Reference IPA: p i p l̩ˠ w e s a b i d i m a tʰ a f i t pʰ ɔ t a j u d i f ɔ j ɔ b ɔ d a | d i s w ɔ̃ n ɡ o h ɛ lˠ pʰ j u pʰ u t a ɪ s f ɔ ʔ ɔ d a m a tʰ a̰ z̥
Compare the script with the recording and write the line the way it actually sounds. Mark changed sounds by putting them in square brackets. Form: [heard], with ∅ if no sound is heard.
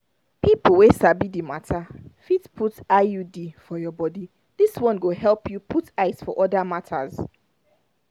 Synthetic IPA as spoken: p i p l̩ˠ w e s a b i d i m a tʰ a f i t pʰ [u] t a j u d i f ɔ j ɔ b ɔ d [i] | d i s w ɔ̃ n ɡ o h ɛ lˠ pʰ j u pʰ u t a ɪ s f ɔ ʔ ɔ d a m a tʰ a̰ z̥

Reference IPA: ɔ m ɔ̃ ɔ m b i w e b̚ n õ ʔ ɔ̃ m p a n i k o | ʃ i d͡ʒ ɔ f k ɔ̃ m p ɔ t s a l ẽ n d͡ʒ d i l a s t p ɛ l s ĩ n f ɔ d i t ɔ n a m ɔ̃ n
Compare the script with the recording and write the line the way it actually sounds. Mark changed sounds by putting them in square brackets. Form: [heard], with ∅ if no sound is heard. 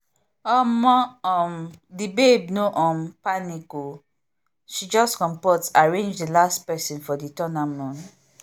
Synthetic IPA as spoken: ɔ m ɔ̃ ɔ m [d] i [b] e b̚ n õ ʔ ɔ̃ m p a n i k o | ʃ i d͡ʒ ɔ [s] k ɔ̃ m p ɔ t s a [ɹ] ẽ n d͡ʒ d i l a s t p ɛ [∅] s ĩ n f ɔ d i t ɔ n a m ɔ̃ n

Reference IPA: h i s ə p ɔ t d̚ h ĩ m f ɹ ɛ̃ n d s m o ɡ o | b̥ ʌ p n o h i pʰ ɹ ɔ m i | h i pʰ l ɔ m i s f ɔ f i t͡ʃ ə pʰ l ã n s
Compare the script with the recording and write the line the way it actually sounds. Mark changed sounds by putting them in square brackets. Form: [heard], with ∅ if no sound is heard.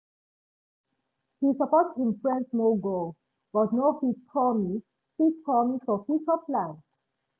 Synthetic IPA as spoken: h i s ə p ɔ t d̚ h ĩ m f ɹ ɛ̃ n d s m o ɡ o | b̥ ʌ [t] n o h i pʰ ɹ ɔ m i | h i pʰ [ɹ] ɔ m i s f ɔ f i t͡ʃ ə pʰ l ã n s

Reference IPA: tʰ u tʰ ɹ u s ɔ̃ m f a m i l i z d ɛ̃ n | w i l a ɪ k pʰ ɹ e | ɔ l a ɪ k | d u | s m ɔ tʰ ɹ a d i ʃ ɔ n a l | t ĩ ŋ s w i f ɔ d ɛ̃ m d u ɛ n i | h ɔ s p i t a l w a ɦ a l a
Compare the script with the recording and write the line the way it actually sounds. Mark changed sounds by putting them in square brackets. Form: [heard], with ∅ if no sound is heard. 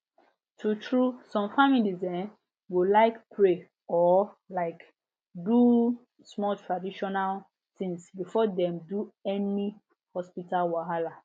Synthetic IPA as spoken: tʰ u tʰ ɹ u s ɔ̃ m f a m i l i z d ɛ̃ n | w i l a ɪ k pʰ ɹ e | ɔ l a ɪ k | d u | s m ɔ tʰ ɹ a d i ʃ ɔ n a l | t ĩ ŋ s [b] i f ɔ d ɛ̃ m d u ɛ n i | h ɔ s p i t a l w a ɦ a l a

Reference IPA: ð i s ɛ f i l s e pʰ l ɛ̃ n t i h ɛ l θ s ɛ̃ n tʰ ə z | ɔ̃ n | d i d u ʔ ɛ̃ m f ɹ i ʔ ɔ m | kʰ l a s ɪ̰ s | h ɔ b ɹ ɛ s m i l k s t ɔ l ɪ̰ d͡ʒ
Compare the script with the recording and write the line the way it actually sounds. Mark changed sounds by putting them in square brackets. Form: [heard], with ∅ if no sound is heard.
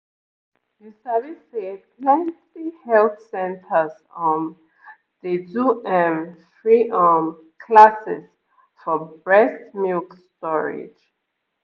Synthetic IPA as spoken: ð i s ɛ [v] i [∅] s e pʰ l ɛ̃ n t i h ɛ l θ s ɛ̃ n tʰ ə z | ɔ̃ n | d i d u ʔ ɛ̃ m f ɹ i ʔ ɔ m | kʰ l a s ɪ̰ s | [f] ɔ b ɹ ɛ s m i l k s t ɔ [ɹ] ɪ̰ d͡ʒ

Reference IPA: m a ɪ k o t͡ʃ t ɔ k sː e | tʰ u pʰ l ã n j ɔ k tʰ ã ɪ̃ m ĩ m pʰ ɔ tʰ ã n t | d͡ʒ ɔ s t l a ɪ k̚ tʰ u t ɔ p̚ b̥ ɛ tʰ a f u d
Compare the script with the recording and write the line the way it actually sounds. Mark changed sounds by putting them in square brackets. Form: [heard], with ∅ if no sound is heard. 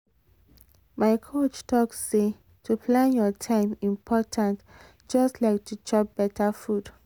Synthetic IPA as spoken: m a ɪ [kʰ] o t͡ʃ t ɔ k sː e | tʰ u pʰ l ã n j ɔ [∅] tʰ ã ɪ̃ m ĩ m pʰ ɔ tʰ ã n t | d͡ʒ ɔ s t l a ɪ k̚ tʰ u [t͡ʃ] ɔ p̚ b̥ ɛ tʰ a f u d

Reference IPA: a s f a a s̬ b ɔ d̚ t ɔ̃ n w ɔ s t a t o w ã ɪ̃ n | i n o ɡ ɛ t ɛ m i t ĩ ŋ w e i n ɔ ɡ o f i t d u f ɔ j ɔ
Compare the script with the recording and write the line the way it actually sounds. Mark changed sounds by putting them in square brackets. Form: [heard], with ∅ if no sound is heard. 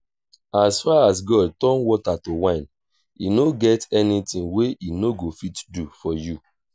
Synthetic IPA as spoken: a s f a a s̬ [ɡ] ɔ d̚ t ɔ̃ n w ɔ [∅] t a t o w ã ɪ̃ n | i n o ɡ ɛ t ɛ [n] i t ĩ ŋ w e i n [o] ɡ o f i t d u f ɔ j [u]

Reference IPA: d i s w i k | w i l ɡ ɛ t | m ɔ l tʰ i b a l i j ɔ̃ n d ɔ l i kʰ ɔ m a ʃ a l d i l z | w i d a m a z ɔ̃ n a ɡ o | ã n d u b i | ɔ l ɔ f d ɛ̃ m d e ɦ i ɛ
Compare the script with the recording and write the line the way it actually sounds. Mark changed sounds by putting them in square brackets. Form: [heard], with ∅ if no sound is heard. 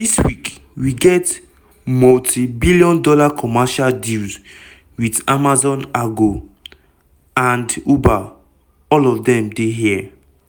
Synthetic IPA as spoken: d i s w i k | w i [∅] ɡ ɛ t | m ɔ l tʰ i b [i] l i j ɔ̃ n d ɔ l [a] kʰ ɔ m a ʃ a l d i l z | w i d a m a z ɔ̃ n a ɡ o | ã n d u b [a] | ɔ l ɔ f d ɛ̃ m d e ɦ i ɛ

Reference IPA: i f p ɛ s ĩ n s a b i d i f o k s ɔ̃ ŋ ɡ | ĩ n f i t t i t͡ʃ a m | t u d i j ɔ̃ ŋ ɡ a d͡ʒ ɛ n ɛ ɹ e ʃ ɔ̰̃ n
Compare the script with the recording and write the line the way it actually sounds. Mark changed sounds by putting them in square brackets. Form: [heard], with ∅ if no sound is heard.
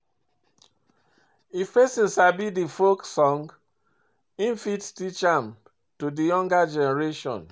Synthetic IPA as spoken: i f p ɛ s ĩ n s a b i d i f o k s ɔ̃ ŋ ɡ | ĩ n f i t t i t͡ʃ a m | t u d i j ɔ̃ ŋ ɡ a d͡ʒ ɛ n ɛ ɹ e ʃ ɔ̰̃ n

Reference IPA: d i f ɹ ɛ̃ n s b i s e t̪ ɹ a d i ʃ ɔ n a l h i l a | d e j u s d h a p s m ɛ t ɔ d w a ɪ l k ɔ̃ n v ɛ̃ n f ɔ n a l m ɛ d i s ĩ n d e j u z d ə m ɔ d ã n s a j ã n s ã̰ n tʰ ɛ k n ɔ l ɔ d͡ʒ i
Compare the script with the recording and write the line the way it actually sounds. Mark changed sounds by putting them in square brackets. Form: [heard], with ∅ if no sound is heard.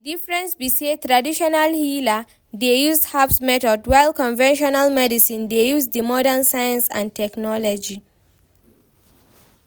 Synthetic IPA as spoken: d i f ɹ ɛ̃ n s b i s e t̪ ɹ a d i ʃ ɔ n a l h i l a | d e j u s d h a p s m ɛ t ɔ d w a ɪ l k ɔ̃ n v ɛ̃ n [ʃ] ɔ n a l m ɛ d i s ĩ n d e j u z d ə m ɔ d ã n s a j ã n s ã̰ n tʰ ɛ k n ɔ l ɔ d͡ʒ i

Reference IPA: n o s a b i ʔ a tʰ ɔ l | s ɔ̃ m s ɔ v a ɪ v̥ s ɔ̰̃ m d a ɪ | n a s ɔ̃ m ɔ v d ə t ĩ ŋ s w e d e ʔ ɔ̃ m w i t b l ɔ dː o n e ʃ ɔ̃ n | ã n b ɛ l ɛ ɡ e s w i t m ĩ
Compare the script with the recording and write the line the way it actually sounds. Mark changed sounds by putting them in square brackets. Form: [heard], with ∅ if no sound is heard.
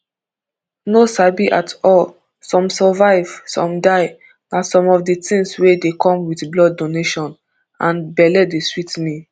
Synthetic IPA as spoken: n o s a b i ʔ a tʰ ɔ l | s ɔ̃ m s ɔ v a ɪ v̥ s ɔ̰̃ m d a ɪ | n a s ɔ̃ m ɔ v d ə t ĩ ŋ s w e d e [k] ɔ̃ m w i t b l ɔ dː o n e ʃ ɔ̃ n | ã n b ɛ l ɛ [d] e s w i t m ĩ

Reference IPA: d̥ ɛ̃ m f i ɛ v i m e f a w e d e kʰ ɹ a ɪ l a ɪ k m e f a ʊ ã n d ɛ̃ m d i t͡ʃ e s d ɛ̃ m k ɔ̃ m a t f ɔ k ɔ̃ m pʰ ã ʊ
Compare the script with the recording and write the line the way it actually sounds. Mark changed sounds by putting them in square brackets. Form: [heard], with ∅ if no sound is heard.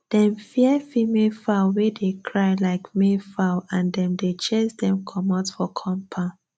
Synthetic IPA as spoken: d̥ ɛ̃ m f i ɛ [f] i m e f a w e d e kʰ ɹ a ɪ l a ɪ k m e f a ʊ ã n d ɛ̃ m d [e] t͡ʃ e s d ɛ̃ m [kʰ] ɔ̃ m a t f ɔ [kʰ] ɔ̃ m pʰ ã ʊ

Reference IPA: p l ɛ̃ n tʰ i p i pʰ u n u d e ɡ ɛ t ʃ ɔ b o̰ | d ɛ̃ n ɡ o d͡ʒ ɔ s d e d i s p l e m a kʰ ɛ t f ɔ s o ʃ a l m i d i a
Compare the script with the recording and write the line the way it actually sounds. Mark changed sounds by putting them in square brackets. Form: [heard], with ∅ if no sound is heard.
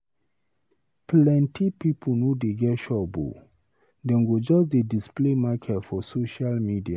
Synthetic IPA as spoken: p l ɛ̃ n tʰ i p i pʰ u n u d e ɡ ɛ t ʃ ɔ b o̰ | d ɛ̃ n ɡ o d͡ʒ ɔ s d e d i s p l e m a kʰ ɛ t f ɔ s o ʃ a l m i d i a

